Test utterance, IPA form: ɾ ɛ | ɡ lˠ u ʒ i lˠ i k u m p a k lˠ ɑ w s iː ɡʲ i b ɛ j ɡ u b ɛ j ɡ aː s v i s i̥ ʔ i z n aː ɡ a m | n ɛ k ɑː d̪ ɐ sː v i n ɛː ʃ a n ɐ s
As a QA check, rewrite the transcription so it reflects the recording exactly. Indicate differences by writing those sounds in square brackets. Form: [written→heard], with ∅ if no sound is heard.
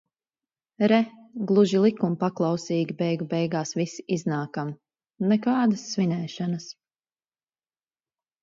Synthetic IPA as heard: ɾ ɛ | ɡ lˠ u ʒ i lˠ i k u m p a k lˠ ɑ w s iː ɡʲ i b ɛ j ɡ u b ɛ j ɡ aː s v i s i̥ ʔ i z n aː [ɡ→k] a m | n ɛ k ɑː d̪ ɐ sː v i n ɛː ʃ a n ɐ s

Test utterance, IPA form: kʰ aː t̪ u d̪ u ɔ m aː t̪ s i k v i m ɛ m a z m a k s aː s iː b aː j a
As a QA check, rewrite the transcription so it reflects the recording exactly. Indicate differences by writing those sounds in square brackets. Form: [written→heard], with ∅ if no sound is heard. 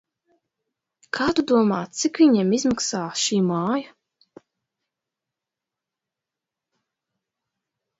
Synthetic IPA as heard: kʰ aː t̪ u d̪ u ɔ m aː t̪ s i k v i [m→ɲ] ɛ m [a→i] z m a k s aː [s→ʃ] iː [b→m] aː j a

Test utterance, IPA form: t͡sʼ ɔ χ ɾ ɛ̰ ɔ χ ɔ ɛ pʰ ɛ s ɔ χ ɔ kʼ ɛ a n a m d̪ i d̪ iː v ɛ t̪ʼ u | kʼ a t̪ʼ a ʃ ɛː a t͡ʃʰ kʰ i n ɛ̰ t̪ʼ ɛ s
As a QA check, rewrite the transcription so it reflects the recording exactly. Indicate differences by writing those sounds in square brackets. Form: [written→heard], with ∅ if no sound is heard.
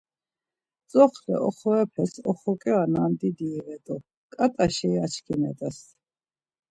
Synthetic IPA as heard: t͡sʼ ɔ χ [ɾ→l] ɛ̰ ɔ χ ɔ ɛ pʰ ɛ s ɔ χ ɔ kʼ ɛ a n a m d̪ i d̪ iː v ɛ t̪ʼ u | kʼ a t̪ʼ a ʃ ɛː a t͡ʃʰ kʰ i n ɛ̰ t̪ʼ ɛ s

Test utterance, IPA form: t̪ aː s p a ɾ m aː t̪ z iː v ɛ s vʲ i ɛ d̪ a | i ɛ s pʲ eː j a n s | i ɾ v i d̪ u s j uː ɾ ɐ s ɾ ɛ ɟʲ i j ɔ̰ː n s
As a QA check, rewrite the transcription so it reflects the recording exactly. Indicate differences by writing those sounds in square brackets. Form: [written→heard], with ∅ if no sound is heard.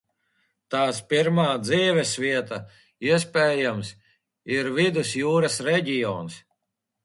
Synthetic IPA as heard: t̪ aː s p [a→i] ɾ m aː [t̪→d̪] z iː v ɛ s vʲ i ɛ [d̪→t̪] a | i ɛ s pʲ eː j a [n→m] s | i ɾ v i d̪ u s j uː ɾ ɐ s ɾ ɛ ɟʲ i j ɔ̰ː n s

